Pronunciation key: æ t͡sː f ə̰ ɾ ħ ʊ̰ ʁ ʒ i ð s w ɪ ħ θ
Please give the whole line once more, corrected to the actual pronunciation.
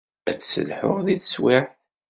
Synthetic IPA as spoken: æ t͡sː s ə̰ l ħ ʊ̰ ʁ ð i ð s w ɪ ħ θ